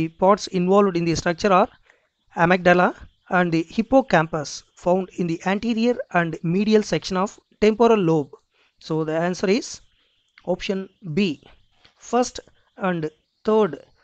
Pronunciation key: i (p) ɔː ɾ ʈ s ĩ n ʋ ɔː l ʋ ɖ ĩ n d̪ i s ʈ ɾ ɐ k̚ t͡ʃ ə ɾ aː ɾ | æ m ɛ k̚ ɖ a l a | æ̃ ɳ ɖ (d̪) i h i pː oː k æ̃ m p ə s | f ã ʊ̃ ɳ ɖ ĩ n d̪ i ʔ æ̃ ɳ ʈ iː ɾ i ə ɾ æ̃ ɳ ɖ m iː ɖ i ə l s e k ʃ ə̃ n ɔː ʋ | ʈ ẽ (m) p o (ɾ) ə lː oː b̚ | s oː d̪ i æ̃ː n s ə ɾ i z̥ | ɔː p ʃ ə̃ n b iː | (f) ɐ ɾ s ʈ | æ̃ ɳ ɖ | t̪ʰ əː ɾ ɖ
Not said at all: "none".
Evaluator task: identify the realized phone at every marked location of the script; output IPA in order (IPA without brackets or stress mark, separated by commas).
p, d̪, m, ɾ, f